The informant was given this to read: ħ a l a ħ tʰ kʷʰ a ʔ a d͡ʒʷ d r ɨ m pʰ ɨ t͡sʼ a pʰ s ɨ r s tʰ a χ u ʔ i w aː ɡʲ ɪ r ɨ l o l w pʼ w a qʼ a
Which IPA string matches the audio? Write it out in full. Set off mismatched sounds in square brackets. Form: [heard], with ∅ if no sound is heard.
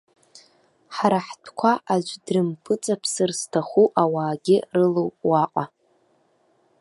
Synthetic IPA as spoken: ħ a [ɾ] a ħ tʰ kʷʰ a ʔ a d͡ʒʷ d r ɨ m pʰ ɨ t͡sʼ a pʰ s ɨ r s tʰ a χ u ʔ [a] w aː ɡʲ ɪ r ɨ l o [∅] w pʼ w a qʼ a

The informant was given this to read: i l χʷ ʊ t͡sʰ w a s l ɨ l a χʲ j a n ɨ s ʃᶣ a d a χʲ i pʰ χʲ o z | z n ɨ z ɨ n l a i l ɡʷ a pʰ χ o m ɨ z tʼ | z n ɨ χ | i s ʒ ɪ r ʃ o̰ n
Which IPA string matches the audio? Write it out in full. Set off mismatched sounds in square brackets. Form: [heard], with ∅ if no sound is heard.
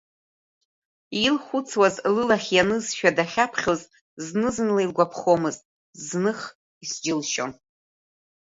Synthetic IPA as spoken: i l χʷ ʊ t͡sʰ w a [z] l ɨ l a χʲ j a n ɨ [z] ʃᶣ a d a χʲ [a] pʰ χʲ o z | z n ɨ z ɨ n l a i l ɡʷ a pʰ χ o m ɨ z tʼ | z n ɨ χ | i s [d͡ʒ] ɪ [l] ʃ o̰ n

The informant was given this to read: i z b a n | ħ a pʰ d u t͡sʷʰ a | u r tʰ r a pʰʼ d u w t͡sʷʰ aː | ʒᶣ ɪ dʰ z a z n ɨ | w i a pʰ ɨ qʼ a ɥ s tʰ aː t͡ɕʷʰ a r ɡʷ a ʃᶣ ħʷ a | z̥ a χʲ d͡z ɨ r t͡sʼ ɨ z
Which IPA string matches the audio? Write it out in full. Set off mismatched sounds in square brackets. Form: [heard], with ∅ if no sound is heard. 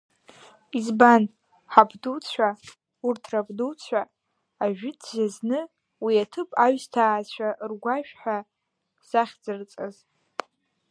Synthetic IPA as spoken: i z b a n | ħ a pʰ d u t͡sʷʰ a | u r tʰ r a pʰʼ d u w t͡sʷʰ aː | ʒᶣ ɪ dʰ z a z n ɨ | w i a [tʰ] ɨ [pʼ] a ɥ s tʰ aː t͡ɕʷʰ a r ɡʷ a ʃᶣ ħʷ a | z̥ a χʲ d͡z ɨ r t͡sʼ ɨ z

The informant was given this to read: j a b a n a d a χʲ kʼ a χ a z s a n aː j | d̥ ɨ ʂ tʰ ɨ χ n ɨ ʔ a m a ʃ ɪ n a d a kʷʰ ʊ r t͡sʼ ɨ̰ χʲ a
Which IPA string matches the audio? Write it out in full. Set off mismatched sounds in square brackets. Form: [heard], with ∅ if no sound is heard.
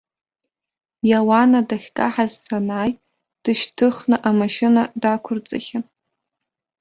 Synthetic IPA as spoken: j a [w] a n a d a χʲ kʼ a [ħ] a z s a n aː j | d̥ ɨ [ʃ] tʰ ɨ χ n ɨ ʔ a m a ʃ ɪ n a d a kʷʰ ʊ r t͡sʼ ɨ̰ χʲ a

